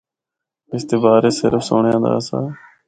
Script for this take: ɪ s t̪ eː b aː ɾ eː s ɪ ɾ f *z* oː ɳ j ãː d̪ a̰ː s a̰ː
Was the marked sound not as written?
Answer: yes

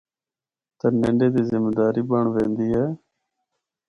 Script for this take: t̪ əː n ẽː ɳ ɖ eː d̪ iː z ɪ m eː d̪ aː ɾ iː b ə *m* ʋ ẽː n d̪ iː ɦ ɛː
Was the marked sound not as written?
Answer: yes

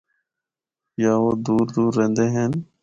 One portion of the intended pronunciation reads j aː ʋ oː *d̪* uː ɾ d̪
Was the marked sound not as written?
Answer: no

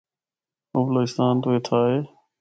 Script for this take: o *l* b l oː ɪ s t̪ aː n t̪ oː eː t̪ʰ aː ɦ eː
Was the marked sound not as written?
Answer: yes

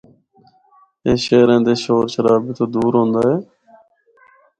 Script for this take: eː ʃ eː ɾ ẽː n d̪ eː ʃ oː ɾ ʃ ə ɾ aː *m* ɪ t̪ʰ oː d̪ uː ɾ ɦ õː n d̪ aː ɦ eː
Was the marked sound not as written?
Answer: yes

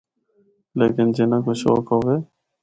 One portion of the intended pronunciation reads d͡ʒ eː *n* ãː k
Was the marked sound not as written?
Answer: no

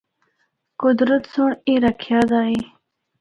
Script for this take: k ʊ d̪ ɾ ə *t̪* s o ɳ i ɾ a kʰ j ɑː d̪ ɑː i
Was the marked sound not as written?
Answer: no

